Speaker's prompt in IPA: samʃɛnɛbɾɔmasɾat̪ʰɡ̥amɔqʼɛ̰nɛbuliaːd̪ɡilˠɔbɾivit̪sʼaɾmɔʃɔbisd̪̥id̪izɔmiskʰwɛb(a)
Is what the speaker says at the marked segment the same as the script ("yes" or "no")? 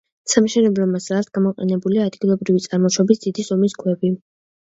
no